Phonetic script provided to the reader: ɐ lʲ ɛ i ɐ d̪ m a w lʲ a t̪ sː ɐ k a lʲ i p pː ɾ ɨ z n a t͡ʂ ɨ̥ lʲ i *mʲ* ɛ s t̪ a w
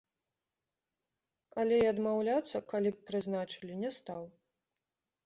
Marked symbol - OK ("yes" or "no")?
no